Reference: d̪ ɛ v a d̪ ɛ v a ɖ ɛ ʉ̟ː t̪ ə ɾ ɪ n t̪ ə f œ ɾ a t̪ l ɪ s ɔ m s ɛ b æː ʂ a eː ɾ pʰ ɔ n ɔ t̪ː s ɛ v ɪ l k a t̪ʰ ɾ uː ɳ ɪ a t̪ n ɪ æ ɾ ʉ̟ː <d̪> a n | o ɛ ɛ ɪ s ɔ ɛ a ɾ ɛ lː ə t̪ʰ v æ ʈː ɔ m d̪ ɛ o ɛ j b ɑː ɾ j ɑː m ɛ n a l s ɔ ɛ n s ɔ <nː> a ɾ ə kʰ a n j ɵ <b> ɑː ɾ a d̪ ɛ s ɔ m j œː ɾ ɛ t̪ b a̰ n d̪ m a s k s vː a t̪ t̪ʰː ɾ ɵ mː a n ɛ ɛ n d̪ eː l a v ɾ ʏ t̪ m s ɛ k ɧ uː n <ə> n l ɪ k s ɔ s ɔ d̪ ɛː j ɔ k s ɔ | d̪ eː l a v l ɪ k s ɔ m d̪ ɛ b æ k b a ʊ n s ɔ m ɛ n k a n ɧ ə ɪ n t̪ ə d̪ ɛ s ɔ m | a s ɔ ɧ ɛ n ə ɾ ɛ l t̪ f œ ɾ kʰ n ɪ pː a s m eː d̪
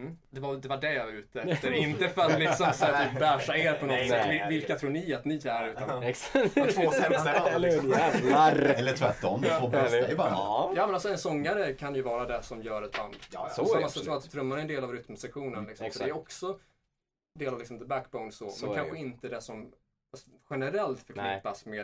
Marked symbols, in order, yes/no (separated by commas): no, no, no, yes